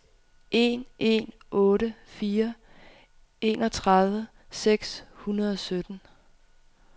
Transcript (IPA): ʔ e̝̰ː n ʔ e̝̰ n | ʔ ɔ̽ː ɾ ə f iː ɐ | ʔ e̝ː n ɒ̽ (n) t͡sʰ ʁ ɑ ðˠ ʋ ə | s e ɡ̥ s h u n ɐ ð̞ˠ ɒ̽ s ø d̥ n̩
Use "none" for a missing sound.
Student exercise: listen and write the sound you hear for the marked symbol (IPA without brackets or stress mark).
none